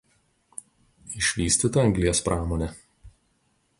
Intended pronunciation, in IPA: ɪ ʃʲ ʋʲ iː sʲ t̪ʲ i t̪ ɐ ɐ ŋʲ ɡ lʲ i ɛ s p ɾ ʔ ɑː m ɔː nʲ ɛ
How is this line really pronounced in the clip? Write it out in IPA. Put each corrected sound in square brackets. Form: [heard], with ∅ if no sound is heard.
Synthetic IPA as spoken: ɪ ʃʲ ʋʲ iː sʲ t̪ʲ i t̪ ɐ ɐ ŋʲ ɡ lʲ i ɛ s p ɾ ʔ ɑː m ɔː nʲ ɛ